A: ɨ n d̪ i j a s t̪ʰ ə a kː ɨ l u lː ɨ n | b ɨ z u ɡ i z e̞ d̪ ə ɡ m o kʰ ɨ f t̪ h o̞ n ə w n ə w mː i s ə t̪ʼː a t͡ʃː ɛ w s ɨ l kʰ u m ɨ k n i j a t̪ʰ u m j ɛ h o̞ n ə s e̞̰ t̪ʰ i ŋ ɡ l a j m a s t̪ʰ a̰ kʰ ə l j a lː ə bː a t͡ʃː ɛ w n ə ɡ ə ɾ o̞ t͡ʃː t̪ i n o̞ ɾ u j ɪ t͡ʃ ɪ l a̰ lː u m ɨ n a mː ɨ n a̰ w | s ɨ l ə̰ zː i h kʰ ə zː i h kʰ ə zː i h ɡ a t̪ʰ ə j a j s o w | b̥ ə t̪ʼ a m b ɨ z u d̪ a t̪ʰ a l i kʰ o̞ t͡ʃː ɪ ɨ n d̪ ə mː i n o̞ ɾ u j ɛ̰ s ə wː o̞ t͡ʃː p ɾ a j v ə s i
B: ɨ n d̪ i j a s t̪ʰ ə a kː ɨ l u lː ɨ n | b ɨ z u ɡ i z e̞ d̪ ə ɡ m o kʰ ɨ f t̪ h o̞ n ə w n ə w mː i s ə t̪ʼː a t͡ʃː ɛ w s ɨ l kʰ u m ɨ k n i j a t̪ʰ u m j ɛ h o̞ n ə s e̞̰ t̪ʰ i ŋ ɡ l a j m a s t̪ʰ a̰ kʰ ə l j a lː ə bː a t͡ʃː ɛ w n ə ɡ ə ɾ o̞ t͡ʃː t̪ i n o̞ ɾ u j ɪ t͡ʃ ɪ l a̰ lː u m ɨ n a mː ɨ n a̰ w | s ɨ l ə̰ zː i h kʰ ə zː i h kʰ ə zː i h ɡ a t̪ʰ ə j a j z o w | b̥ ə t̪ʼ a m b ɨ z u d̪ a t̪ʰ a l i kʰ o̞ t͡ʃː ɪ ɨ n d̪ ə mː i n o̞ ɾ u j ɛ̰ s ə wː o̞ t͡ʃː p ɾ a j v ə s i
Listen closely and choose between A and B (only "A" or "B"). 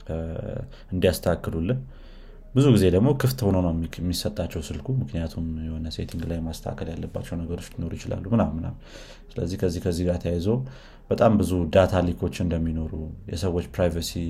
B